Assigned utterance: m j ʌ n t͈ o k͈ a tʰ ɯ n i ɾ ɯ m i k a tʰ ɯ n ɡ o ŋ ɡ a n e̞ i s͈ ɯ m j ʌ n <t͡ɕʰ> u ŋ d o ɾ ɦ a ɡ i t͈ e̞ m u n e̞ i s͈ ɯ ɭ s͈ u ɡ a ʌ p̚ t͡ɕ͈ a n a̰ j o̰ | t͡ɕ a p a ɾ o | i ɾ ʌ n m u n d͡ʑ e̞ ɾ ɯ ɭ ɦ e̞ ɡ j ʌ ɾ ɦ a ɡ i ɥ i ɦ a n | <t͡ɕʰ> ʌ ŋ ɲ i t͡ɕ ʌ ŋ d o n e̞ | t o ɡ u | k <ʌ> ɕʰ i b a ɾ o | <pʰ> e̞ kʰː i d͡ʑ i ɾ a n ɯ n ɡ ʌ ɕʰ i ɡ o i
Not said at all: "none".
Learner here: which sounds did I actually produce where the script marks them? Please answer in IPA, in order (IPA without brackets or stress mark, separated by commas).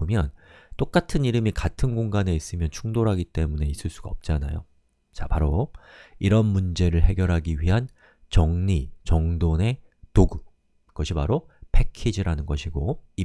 t͡ɕʰ, t͡ɕ, ʌ, pʰ